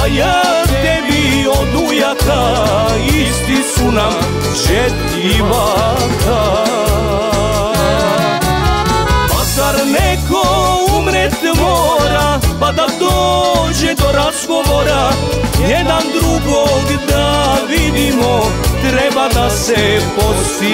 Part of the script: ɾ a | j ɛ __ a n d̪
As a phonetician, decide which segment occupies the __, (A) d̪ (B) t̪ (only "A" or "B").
A